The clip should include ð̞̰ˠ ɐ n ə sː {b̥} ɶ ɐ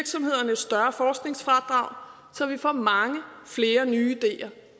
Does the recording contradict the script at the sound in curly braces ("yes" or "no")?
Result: yes